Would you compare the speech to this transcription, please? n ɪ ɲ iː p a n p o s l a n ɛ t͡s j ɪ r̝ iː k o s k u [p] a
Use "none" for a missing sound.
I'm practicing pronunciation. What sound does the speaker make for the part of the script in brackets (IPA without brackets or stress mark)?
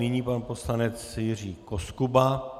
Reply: b